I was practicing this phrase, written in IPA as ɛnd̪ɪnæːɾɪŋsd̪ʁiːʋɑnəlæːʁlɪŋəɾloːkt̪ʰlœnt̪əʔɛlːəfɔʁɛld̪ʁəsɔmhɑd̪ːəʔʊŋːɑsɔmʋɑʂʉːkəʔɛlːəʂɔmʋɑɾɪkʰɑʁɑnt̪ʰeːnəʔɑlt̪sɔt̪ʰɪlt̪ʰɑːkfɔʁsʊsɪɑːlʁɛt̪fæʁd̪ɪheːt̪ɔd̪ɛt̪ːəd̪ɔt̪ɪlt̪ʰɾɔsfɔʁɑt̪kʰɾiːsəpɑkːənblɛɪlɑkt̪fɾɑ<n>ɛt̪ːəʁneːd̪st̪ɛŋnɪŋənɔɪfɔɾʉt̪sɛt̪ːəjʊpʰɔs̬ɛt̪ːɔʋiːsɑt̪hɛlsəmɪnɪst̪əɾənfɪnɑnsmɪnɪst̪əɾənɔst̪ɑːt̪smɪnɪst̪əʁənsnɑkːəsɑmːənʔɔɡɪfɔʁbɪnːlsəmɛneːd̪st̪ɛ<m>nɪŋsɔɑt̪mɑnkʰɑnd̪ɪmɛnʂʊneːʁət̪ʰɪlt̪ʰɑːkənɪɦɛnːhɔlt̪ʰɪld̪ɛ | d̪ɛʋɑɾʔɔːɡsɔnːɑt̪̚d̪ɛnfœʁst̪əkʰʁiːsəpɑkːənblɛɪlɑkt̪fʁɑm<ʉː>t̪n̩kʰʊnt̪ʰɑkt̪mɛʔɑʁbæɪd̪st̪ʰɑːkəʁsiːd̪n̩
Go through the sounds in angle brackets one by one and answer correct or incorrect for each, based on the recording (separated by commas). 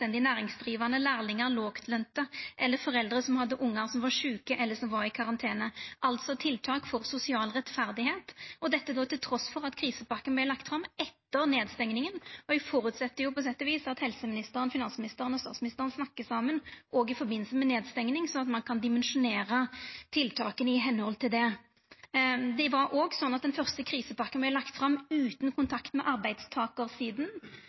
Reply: incorrect, incorrect, correct